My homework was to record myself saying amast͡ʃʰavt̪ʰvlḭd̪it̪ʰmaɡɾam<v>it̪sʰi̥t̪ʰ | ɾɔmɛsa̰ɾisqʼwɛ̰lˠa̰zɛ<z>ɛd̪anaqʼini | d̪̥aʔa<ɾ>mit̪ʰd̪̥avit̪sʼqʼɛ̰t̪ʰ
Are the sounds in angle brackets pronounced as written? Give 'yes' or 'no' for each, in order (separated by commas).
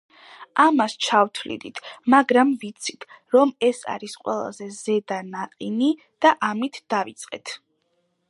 yes, yes, no